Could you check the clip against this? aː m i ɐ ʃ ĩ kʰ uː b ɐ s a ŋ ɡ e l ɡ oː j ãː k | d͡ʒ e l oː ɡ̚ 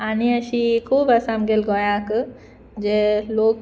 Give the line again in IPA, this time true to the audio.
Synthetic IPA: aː n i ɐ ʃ i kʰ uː b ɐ s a m ɡ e l ɡ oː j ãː k | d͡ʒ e l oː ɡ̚